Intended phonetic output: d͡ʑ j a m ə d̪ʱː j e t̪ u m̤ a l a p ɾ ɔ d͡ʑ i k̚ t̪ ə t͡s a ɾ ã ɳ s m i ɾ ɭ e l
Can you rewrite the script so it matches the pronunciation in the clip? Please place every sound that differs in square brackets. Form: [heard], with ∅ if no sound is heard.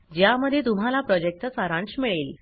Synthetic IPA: d͡ʑ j a m ə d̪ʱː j e t̪ u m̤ a l a p ɾ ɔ d͡ʑ [e] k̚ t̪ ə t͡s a ɾ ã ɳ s m i [∅] ɭ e l

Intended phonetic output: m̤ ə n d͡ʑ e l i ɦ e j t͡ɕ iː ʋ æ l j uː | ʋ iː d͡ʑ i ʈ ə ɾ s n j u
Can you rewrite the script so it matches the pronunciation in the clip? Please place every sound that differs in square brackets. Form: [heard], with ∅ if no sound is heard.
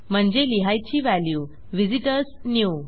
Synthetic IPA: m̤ ə [ɳ] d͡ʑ e l i ɦ [a] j t͡ɕ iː ʋ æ l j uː | ʋ [i] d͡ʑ i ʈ ə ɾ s n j u

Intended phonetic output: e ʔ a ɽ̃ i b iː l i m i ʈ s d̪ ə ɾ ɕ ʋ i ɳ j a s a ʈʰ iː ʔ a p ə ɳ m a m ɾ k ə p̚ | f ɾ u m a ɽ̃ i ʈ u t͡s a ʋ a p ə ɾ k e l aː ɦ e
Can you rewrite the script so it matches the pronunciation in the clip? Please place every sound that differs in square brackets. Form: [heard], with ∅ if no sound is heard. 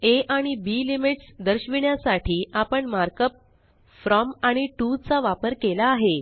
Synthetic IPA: e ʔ a ɽ̃ i b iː l i m i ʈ s d̪ ə ɾ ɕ ʋ i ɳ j a s a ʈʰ iː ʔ a p ə ɳ m a [∅] ɾ k ə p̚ | f ɾ [ɔ] m a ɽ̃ i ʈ u t͡s a ʋ a p ə ɾ k e l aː ɦ e

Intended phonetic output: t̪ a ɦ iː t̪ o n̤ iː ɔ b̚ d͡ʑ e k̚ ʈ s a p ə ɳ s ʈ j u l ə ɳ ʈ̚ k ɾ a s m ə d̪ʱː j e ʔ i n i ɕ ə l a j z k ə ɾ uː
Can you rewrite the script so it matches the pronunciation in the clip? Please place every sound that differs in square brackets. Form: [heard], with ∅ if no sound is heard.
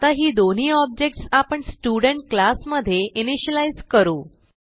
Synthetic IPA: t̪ a ɦ iː [d̪] o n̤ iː ɔ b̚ d͡ʑ e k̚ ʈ s a p ə ɳ s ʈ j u [ɽ] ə ɳ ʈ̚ k [l] a s m ə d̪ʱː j e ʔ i n i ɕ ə l a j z k ə ɾ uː

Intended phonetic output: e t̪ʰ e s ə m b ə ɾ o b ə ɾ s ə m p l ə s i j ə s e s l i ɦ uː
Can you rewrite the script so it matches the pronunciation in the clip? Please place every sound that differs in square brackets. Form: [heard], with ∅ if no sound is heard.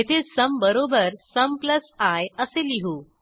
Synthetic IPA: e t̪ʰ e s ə m b ə ɾ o b ə ɾ s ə m p l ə s [a] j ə s e [∅] l i ɦ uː

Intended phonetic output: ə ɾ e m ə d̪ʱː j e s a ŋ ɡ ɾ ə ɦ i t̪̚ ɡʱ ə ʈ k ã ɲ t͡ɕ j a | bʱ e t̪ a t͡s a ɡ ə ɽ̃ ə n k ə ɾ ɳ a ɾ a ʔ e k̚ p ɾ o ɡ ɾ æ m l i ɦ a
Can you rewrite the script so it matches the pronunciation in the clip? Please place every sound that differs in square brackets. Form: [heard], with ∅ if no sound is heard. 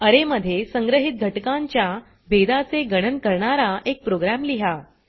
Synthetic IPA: ə ɾ e m ə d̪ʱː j e s [ə] ŋ ɡ ɾ ə ɦ i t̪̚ ɡʱ ə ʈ k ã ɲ t͡ɕ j a | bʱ e [d̪] a t͡s [e] ɡ ə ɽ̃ ə n k ə ɾ ɳ a ɾ a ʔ e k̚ p ɾ o ɡ ɾ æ m l i ɦ a

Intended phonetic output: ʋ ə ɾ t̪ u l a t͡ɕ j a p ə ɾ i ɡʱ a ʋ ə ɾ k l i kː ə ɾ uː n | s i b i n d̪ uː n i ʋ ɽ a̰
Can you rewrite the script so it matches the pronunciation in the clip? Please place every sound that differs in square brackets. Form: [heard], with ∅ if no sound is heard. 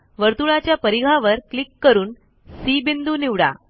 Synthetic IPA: ʋ ə ɾ t̪ u [ɭ] a t͡ɕ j a p ə ɾ i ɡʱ a ʋ ə ɾ k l i kː ə ɾ uː n | s i b i n d̪ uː n i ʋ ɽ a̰

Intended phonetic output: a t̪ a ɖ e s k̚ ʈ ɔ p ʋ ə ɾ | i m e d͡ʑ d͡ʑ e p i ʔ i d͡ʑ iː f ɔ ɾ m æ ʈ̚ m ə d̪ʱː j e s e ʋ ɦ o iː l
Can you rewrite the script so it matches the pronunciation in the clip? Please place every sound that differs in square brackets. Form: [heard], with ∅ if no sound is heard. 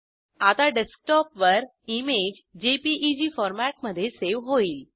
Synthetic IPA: a t̪ a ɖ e s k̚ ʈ ɔ p ʋ ə ɾ | i m e d͡ʑ d͡ʑ e p i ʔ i d͡ʑ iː f ɔ ɾ m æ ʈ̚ m ə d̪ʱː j e s e ʋ ɦ o iː l

